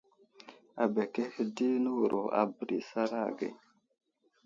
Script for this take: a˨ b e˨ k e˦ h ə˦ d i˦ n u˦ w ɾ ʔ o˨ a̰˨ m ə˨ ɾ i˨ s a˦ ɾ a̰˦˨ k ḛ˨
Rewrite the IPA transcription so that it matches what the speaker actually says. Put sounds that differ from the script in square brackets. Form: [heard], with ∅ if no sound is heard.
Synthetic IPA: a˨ b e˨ k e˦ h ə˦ d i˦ n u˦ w ɾ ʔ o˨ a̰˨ [b] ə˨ ɾ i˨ s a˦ ɾ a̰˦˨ [ɡ] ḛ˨

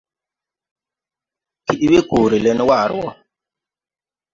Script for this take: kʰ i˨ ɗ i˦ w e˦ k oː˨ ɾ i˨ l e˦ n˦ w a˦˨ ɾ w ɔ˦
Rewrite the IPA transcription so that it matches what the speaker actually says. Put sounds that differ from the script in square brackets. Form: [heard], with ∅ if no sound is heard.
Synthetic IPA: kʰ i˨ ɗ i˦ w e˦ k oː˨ ɾ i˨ l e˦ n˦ w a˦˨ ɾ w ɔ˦

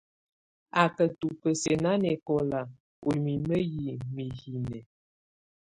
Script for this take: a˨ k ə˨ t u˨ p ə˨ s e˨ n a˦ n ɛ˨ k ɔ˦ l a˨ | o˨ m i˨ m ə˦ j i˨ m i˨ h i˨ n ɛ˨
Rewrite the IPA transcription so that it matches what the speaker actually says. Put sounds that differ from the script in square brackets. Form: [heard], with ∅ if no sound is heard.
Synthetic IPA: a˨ k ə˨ t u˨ p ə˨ s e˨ n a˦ n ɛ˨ k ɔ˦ l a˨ | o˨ m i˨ m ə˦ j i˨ m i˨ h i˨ n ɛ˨

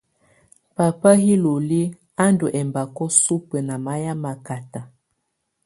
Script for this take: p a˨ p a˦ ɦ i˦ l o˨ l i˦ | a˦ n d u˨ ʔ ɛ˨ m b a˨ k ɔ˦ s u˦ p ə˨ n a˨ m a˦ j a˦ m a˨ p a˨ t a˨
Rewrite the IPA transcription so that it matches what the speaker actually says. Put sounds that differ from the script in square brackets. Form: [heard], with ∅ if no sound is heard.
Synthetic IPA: p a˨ p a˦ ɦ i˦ l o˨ l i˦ | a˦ n d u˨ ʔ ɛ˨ m b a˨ k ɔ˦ s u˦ p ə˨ n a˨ m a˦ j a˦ m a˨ [k] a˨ t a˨

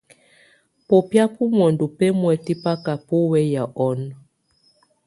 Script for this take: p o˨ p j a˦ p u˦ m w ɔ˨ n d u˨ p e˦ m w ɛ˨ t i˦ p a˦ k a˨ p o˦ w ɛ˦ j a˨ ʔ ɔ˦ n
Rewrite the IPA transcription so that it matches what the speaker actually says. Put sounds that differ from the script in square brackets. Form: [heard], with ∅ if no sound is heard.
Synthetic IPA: p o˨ p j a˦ p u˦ m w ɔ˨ n d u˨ p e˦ m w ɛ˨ t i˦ p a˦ k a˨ p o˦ w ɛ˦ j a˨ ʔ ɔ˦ n

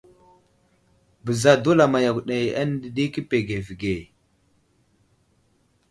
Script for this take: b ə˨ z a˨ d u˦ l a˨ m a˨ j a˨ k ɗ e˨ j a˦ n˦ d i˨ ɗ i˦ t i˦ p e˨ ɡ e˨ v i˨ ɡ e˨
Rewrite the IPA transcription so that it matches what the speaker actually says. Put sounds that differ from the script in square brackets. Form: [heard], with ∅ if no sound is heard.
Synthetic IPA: b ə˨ z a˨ d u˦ l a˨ m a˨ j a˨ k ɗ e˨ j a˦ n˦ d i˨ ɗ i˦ [k] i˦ p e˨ ɡ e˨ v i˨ ɡ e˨

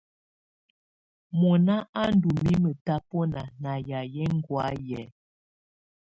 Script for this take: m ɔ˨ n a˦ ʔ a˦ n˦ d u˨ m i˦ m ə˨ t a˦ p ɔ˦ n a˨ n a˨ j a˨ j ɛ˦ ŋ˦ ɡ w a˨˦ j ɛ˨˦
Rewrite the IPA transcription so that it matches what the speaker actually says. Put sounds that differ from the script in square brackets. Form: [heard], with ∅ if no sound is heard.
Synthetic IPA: m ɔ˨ n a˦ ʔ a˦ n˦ d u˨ m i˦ m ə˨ t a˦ p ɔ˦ n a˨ n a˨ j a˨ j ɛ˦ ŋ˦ ɡ w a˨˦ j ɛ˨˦

